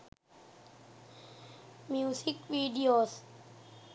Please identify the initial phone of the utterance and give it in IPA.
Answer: m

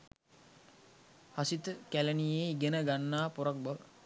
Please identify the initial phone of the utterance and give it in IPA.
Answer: h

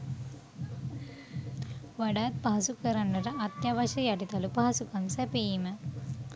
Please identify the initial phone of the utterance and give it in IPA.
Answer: ʋ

